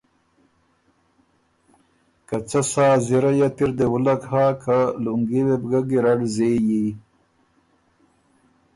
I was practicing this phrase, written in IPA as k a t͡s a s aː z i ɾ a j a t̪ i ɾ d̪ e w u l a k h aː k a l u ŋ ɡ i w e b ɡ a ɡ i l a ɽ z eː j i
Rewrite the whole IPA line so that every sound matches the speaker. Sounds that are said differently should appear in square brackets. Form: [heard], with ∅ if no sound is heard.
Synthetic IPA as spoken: k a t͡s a s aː z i ɾ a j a t̪ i ɾ d̪ e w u l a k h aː k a l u ŋ ɡ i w e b ɡ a ɡ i [ɾ] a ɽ z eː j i